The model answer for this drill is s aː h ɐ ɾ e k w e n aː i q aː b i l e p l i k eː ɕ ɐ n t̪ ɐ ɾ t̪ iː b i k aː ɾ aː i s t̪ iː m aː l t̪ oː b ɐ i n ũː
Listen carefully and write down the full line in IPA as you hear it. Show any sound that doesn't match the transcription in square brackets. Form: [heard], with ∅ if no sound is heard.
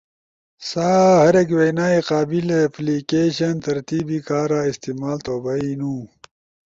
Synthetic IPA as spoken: s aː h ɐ ɾ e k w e n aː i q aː b i l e p l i k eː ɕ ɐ n t̪ ɐ ɾ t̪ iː b i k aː ɾ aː i s t̪ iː m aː l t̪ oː b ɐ i n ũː